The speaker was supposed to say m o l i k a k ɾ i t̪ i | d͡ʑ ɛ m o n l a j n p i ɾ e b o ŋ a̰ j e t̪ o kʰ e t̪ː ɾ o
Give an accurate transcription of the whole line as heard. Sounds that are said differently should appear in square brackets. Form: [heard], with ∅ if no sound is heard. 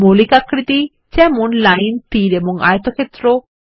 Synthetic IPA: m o l i k a k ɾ i t̪ i | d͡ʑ ɛ m o n l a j n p i ɾ e b o ŋ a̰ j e t̪ o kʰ e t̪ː ɾ o